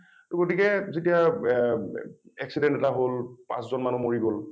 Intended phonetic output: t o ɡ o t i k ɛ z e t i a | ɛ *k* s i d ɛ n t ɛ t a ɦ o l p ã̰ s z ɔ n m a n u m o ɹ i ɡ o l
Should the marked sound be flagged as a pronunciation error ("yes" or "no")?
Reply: no